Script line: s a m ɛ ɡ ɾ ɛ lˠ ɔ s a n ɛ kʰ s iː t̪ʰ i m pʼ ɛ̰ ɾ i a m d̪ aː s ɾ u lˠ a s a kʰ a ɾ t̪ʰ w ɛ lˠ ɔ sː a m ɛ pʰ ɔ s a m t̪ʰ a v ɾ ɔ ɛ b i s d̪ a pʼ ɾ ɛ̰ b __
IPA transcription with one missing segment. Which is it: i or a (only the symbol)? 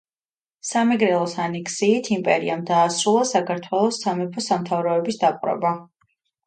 a